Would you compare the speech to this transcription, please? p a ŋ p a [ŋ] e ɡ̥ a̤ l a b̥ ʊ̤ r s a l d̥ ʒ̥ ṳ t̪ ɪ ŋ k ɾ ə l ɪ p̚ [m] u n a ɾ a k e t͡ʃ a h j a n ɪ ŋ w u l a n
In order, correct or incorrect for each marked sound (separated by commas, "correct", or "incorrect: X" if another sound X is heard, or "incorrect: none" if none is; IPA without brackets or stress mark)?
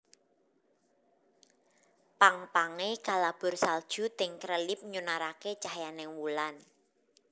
correct, incorrect: ɲ